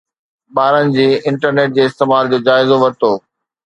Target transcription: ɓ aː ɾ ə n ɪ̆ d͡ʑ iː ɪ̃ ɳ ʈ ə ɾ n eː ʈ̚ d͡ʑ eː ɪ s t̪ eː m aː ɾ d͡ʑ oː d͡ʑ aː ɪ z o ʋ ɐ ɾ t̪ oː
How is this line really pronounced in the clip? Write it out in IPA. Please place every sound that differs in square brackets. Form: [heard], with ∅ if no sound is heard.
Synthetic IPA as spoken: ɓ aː ɾ ə n ɪ̆ d͡ʑ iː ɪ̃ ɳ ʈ ə ɾ n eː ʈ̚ d͡ʑ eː ɪ s t̪ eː m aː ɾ d͡ʑ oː d͡ʑ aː ɪ z o ʋ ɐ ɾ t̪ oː